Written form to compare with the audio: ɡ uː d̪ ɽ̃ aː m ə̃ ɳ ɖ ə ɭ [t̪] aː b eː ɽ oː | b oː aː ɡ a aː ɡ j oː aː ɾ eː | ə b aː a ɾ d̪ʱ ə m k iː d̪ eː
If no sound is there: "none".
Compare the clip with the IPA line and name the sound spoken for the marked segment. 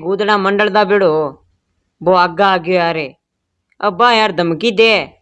d̪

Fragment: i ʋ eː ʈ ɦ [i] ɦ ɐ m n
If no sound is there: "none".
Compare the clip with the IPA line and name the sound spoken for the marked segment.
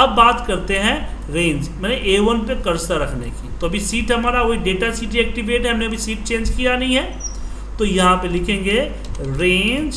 ɛ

